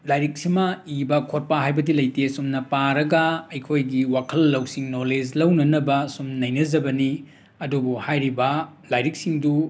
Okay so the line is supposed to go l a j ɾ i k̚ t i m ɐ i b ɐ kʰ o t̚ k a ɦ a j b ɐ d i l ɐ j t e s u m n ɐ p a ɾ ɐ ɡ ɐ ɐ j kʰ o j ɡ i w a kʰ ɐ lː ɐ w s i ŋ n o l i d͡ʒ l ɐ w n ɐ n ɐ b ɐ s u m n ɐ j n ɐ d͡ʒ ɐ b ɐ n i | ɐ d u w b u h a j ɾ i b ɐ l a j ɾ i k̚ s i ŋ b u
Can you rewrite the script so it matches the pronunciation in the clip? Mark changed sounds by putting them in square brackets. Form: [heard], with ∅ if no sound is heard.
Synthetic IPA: l a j ɾ i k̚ [s] i m ɐ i b ɐ kʰ o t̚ [p] a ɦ a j b ɐ d i l ɐ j t e s u m n ɐ p a ɾ ɐ ɡ ɐ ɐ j kʰ o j ɡ i w a kʰ ɐ lː ɐ w s i ŋ n o l [e] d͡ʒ l ɐ w n ɐ n ɐ b ɐ s u m n ɐ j n ɐ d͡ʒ ɐ b ɐ n i | ɐ d u [∅] b u h a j ɾ i b ɐ l a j ɾ i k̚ s i ŋ [d] u